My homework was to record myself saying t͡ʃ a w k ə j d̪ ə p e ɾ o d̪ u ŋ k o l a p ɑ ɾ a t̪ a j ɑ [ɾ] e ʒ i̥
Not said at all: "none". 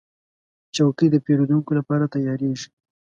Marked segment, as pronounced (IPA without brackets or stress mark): ɾ